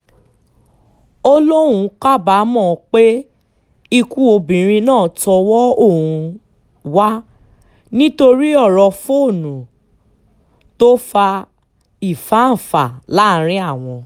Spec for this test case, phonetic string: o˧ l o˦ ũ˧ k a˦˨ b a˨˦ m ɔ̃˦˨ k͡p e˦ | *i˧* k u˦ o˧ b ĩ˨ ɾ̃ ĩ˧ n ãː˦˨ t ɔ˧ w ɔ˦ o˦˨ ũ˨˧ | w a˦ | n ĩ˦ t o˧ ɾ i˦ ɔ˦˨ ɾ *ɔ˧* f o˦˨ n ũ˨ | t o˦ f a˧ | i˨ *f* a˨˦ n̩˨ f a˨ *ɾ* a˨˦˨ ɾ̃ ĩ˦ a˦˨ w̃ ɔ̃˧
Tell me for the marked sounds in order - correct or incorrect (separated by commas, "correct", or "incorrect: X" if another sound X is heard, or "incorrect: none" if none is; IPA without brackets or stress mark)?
correct, correct, correct, incorrect: l